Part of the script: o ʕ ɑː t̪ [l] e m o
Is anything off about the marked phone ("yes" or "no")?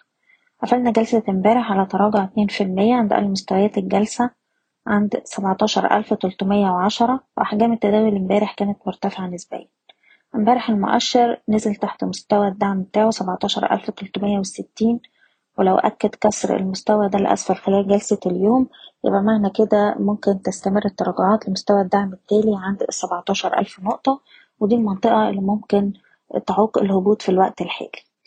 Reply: no